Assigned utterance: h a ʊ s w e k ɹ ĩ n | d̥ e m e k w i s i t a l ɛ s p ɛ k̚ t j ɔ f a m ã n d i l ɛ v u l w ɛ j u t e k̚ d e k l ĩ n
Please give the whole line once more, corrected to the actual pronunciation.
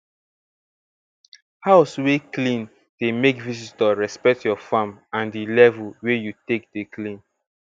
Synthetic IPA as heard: h a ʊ s w e k l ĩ n | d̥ e m e k v i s i t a ɹ ɛ s p ɛ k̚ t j ɔ f a m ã n d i l ɛ v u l w e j u t e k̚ d e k l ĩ n

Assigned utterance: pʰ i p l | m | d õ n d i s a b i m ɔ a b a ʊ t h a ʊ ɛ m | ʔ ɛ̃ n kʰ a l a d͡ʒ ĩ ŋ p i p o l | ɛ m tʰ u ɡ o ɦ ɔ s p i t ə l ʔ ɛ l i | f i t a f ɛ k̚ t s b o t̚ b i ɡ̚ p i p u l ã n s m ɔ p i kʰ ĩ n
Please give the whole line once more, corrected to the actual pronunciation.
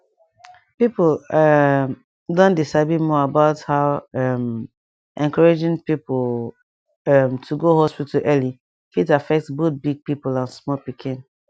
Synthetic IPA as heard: p i p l | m | d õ n d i s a b i m ɔ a b a ʊ t h a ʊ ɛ m | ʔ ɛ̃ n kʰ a ɹ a d͡ʒ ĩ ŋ p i p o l | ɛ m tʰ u ɡ o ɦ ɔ s p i t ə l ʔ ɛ l i | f i t a f ɛ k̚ t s b o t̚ b i ɡ̚ p i p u l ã n s m ɔ p i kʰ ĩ n

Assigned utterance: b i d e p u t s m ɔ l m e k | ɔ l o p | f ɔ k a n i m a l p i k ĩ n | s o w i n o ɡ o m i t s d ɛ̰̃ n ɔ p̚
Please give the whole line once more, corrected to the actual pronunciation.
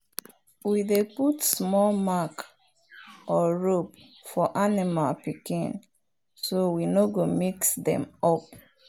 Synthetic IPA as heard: w i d e p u t s m ɔ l m a k | ɔ ɹ o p | f ɔ ʔ a n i m a l p i k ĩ n | s o w i n o ɡ o m i k s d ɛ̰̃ m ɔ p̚

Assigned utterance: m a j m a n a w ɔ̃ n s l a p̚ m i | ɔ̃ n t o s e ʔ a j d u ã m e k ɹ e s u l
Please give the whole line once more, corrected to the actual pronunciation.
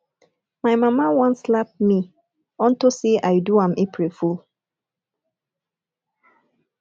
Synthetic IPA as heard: m a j m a m a w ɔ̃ n s l a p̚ m i | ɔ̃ n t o s e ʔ a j d u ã m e p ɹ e f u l

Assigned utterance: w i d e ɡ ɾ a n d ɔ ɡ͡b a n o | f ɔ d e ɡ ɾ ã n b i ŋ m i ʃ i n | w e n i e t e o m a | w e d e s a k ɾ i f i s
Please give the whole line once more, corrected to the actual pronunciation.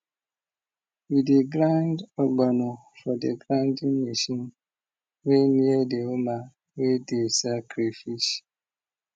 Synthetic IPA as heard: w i d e ɡ ɾ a n d ɔ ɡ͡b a n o | f ɔ d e ɡ ɾ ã n d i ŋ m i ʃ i n | w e n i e d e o m a | w e d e s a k ɾ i f i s

